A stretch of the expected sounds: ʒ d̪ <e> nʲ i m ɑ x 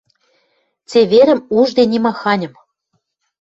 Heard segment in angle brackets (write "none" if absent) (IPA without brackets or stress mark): e